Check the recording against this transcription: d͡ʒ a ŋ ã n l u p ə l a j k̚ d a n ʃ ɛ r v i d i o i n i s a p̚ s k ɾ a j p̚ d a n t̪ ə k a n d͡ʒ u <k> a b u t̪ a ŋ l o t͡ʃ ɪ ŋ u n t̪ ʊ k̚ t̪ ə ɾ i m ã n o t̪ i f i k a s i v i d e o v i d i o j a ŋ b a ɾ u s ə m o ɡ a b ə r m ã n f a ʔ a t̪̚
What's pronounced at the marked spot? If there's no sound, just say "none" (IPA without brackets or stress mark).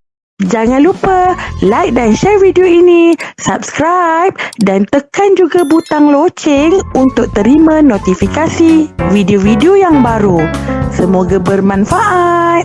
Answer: ɡ